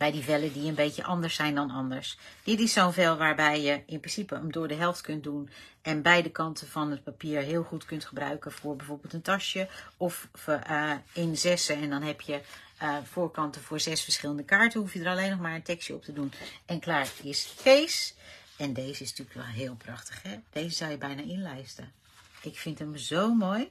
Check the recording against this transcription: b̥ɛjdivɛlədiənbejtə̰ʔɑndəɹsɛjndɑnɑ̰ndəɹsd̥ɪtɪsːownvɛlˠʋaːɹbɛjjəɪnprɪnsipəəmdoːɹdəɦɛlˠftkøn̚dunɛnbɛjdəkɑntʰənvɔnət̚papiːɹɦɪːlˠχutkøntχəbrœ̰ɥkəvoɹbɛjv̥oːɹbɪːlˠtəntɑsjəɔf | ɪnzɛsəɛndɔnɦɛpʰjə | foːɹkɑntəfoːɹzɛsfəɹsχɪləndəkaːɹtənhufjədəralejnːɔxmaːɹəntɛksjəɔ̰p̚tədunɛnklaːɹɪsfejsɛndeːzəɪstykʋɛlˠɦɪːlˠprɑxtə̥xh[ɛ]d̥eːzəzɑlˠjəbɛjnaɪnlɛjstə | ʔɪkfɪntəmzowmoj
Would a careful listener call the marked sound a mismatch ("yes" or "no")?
no